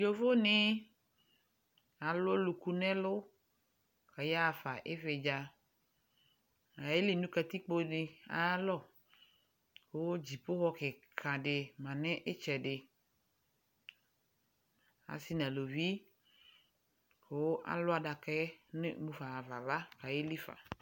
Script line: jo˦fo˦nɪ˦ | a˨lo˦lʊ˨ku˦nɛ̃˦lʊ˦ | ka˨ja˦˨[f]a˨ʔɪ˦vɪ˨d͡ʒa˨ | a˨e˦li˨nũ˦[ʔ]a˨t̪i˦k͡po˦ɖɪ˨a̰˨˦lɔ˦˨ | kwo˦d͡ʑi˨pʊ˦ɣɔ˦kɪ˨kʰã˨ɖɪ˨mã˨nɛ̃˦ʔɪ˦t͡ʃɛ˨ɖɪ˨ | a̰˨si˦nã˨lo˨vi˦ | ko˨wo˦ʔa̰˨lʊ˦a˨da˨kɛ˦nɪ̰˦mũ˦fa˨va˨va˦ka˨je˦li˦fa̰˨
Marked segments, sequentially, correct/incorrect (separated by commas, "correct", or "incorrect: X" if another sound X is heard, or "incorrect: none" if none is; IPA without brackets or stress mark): correct, incorrect: k